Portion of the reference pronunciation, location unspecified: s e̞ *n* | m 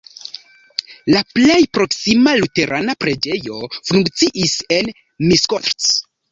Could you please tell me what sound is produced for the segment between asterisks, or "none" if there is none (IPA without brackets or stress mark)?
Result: n